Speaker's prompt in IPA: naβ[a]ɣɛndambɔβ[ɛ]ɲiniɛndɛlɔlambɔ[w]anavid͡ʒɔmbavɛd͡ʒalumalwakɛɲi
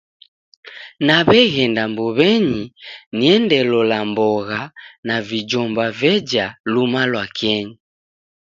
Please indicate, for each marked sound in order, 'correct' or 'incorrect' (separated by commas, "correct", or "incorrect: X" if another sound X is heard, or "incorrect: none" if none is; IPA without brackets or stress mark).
incorrect: ɛ, correct, incorrect: ɣ